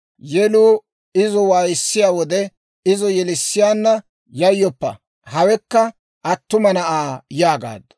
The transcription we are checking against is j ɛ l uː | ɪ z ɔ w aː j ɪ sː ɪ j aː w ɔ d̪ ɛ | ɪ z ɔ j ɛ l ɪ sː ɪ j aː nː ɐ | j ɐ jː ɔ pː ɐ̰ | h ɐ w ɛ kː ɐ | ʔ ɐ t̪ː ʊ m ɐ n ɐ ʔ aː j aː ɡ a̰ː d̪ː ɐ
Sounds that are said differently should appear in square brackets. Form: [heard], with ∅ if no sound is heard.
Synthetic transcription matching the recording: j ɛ l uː | ɪ z ɔ w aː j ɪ sː ɪ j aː w ɔ d̪ ɛ | ɪ z ɔ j ɛ l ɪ sː ɪ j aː nː ɐ | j ɐ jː ɔ pː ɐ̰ | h ɐ w ɛ kː ɐ | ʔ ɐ t̪ː ʊ m ɐ n ɐ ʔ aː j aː ɡ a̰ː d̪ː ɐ